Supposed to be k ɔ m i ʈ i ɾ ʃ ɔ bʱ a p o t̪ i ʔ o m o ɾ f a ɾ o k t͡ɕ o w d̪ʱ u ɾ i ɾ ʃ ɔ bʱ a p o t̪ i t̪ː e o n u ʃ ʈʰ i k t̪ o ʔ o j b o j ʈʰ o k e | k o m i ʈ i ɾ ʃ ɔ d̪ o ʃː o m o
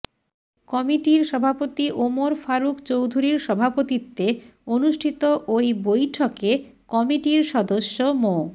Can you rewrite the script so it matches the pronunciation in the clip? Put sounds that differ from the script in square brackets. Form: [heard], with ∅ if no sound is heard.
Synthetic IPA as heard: k ɔ m i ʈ i ɾ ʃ ɔ bʱ a p o t̪ i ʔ o m o ɾ f a ɾ [u] k t͡ɕ o w d̪ʱ u ɾ i ɾ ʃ ɔ bʱ a p o t̪ i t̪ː e o n u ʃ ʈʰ i [∅] t̪ o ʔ o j b o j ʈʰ o k e | k [ɔ] m i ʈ i ɾ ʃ ɔ d̪ o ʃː o m o